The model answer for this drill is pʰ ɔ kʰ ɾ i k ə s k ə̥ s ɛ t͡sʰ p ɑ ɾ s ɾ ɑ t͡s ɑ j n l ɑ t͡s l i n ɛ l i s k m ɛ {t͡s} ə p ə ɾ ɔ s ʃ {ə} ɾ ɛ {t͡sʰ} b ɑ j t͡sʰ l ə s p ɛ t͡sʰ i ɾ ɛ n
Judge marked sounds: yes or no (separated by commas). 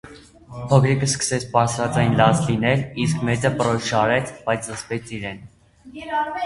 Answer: yes, no, yes